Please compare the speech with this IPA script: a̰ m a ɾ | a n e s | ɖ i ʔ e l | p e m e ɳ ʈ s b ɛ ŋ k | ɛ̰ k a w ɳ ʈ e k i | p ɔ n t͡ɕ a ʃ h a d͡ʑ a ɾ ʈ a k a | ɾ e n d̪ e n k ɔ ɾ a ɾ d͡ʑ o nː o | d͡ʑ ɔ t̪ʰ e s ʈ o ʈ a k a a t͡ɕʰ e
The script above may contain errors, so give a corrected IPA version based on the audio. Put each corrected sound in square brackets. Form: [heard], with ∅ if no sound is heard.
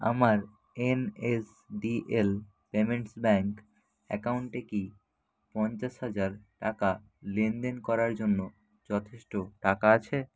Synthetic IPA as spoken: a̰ m a ɾ | [e] n e s | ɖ i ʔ e l | p e m e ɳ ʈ s b ɛ ŋ k | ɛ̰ k a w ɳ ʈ e k i | p ɔ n t͡ɕ a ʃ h a d͡ʑ a ɾ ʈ a k a | [l] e n d̪ e n k ɔ ɾ a ɾ d͡ʑ o nː o | d͡ʑ ɔ t̪ʰ e [ʃ] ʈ o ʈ a k a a t͡ɕʰ e